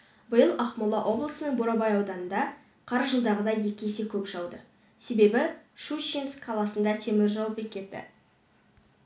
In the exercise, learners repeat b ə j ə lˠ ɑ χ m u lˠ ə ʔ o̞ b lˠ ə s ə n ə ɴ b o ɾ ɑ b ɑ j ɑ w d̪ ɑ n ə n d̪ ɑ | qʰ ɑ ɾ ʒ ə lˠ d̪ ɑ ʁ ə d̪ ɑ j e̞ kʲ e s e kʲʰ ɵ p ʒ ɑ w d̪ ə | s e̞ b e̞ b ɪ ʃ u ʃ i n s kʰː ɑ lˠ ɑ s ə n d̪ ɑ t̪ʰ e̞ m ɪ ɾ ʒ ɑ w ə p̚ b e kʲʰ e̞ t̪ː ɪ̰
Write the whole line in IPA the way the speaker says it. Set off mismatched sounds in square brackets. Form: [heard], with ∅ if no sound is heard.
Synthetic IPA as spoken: b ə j ə lˠ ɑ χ m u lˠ [ɑ] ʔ o̞ b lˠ ə s ə n ə ɴ b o ɾ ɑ b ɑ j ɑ w d̪ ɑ n ə n d̪ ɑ | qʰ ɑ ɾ ʒ ə lˠ d̪ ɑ ʁ ə d̪ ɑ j e̞ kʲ e s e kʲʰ ɵ p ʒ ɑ w d̪ ə | s e̞ b e̞ b ɪ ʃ u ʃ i n s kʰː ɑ lˠ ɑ s ə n d̪ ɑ t̪ʰ e̞ m ɪ ɾ ʒ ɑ w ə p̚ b e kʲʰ e̞ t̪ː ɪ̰